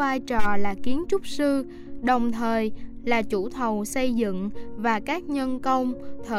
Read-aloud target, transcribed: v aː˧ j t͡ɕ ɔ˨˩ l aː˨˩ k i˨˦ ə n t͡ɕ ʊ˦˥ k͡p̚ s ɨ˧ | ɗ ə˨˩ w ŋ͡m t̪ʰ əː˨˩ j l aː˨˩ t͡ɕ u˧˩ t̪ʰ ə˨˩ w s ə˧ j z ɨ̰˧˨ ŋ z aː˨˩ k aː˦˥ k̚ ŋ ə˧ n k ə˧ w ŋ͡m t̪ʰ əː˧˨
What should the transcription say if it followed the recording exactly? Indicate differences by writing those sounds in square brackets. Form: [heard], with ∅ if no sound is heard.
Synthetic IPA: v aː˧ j t͡ɕ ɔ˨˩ l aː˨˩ k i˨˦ ə n t͡ɕ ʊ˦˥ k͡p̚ s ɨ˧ | ɗ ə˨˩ w ŋ͡m t̪ʰ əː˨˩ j l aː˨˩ t͡ɕ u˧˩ t̪ʰ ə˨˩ w s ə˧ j z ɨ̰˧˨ ŋ [v] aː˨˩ k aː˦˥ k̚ [ɲ] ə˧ n k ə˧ w ŋ͡m t̪ʰ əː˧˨